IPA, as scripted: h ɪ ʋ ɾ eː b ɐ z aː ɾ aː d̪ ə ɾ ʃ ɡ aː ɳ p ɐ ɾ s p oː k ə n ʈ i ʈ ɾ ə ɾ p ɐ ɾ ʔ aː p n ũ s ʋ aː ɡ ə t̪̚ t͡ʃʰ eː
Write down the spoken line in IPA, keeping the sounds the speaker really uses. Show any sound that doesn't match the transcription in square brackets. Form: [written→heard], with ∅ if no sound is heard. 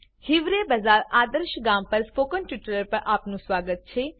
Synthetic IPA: h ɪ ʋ ɾ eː b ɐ z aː ɾ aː d̪ ə ɾ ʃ ɡ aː [ɳ→m] p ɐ ɾ s p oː k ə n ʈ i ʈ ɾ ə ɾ p ɐ ɾ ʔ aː p n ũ s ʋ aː ɡ ə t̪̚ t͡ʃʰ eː